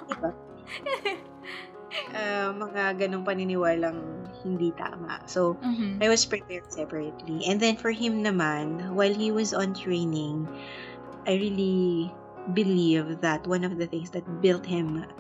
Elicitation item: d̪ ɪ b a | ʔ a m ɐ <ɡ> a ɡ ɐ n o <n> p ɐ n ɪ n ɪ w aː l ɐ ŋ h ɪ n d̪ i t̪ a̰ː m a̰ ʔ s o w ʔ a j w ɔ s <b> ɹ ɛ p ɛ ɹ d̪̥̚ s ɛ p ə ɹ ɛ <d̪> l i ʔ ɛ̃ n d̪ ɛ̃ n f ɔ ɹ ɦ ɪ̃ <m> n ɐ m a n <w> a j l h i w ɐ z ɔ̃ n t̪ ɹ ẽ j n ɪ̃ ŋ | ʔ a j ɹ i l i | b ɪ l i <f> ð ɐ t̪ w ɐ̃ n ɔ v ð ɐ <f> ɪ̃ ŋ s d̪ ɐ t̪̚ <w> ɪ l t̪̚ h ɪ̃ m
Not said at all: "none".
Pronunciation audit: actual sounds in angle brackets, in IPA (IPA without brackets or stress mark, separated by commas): ŋ, ŋ, p, t̪, m, w, v, θ, b